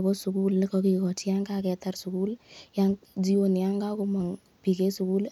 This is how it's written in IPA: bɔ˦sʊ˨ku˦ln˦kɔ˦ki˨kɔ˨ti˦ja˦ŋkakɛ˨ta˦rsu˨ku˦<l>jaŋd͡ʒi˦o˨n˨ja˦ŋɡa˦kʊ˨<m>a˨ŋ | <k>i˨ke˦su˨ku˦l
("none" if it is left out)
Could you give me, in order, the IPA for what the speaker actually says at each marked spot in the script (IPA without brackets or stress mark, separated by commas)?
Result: l, m, p